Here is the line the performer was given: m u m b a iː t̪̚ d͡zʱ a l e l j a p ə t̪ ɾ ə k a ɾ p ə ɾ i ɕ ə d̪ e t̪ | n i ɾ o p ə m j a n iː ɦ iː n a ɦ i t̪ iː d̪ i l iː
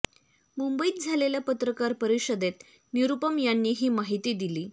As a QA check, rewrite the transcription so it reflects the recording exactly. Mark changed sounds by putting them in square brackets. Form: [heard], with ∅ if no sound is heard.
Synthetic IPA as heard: m u m b [ə] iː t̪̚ d͡zʱ a l e l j a p ə t̪ ɾ ə k a ɾ p ə ɾ i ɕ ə d̪ e t̪ | n i ɾ [u] p ə m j a [nː] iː ɦ iː [m] a ɦ i t̪ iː d̪ i l iː